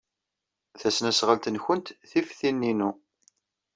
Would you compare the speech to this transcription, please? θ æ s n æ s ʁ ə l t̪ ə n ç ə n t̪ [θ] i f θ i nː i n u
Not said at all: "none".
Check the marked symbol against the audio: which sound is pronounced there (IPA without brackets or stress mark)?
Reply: θ